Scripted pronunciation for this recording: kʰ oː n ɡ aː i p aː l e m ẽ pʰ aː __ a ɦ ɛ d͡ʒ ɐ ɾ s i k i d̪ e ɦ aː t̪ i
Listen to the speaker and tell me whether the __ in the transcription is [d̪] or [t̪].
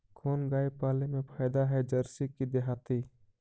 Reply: d̪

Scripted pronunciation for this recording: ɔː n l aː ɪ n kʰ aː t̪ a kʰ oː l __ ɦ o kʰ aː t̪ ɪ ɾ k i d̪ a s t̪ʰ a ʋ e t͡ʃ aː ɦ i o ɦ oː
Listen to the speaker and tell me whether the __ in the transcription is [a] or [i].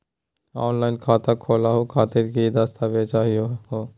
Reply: a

